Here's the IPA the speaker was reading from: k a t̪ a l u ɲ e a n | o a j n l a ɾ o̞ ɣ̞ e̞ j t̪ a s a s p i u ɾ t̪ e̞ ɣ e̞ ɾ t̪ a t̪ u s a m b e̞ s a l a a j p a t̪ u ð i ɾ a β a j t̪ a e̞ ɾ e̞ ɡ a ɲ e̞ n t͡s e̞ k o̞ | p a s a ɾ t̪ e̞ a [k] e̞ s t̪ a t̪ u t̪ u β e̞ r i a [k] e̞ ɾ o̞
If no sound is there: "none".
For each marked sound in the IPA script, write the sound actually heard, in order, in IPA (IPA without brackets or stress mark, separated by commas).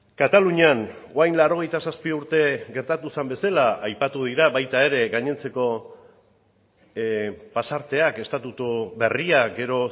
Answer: k, ɡ